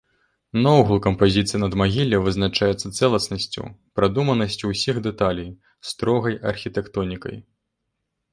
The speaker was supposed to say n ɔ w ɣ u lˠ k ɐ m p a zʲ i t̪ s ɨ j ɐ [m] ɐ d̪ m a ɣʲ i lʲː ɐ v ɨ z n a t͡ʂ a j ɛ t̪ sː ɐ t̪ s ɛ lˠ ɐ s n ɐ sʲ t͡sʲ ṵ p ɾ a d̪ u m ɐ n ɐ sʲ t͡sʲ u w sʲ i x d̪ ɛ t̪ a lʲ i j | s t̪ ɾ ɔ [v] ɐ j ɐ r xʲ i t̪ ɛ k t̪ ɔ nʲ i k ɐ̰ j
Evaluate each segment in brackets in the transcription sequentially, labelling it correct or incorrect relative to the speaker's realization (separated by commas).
incorrect, incorrect